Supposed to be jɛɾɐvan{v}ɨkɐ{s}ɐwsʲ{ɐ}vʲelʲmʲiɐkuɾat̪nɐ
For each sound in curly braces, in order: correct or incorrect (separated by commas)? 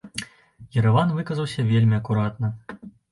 correct, incorrect, correct